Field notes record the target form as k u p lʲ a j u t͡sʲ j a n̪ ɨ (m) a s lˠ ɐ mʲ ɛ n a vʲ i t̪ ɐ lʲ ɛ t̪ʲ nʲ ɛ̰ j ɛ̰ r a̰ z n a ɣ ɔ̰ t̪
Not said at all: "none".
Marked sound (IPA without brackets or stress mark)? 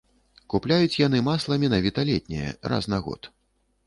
m